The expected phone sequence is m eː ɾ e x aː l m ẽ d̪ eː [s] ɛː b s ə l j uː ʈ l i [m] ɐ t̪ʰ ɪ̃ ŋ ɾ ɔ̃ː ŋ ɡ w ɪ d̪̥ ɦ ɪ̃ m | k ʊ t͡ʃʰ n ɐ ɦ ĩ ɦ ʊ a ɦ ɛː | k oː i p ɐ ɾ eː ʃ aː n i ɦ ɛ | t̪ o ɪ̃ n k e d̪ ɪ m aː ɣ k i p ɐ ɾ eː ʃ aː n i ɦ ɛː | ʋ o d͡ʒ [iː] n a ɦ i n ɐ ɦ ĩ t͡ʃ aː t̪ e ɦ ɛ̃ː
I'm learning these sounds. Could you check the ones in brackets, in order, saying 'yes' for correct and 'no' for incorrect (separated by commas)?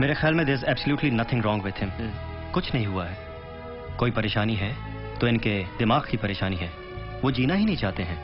no, no, yes